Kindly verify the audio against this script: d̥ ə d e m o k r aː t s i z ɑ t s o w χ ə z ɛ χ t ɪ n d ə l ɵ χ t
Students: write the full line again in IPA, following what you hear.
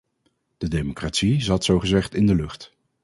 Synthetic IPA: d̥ ə d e m o k r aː t s i z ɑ t s o w χ ə z ɛ χ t ɪ n d ə l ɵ χ t